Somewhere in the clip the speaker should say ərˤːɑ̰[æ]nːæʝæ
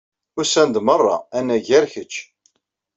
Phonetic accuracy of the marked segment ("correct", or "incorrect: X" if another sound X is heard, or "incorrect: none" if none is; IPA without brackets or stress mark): correct